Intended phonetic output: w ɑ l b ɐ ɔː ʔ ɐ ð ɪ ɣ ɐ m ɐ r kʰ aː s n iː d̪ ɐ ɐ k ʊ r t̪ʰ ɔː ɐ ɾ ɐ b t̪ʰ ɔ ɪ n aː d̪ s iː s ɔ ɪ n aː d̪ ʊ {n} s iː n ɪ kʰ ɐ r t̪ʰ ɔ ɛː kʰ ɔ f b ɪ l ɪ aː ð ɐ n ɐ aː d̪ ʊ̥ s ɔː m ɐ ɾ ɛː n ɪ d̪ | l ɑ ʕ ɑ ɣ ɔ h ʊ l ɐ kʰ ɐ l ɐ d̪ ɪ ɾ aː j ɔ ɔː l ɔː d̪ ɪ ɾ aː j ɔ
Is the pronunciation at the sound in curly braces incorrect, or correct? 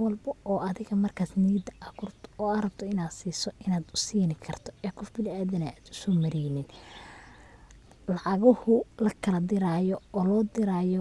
incorrect